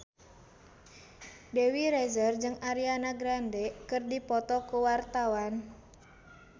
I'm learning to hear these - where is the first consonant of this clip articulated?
tongue tip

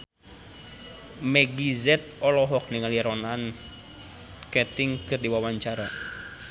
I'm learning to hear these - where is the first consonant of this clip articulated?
lips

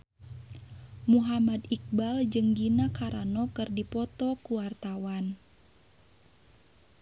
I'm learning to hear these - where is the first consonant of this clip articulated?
lips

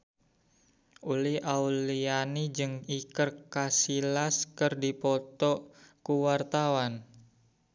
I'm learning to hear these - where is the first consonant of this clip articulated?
tongue tip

